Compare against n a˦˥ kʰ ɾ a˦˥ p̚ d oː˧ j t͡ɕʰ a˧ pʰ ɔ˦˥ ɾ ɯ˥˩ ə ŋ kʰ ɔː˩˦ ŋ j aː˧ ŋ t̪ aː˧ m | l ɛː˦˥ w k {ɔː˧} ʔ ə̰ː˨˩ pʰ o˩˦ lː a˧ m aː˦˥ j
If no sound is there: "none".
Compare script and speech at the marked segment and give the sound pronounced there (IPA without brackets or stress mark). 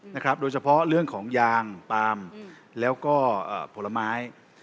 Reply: ɔː˥˩